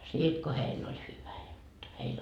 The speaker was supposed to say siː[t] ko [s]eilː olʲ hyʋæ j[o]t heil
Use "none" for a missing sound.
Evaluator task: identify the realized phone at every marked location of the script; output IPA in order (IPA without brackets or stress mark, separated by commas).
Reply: t, h, o